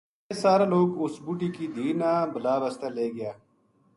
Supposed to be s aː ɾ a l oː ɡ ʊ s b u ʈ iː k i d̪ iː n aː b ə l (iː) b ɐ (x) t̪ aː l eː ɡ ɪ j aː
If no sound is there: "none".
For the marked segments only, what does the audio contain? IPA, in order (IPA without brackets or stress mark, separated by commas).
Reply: aː, s